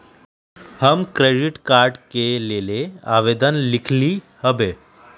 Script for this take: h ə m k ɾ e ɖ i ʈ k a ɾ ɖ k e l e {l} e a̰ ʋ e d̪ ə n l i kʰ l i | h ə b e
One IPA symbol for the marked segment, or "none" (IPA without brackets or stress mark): l